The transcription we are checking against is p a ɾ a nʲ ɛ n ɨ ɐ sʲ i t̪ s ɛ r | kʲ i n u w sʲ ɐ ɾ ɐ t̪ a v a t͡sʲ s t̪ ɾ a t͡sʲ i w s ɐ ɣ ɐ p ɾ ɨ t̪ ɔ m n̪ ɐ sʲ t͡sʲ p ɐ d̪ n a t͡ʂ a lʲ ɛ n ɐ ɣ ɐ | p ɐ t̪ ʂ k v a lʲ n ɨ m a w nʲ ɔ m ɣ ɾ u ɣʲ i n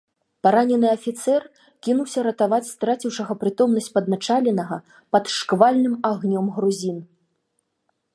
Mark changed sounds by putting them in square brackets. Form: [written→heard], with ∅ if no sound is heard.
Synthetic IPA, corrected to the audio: p a ɾ a nʲ ɛ n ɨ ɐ [sʲ→fʲ] i t̪ s ɛ r | kʲ i n u w sʲ ɐ ɾ ɐ t̪ a v a t͡sʲ s t̪ ɾ a t͡sʲ i w [s→ʂ] ɐ ɣ ɐ p ɾ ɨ t̪ ɔ m n̪ ɐ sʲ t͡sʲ p ɐ d̪ n a t͡ʂ a lʲ ɛ n ɐ ɣ ɐ | p ɐ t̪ ʂ k v a lʲ n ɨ m a [w→ɣ] nʲ ɔ m ɣ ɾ u [ɣʲ→zʲ] i n